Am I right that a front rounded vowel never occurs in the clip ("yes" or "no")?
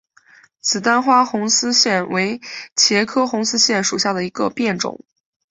yes